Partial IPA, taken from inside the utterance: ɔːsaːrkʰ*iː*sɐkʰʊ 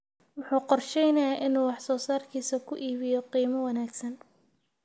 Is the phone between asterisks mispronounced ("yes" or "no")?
no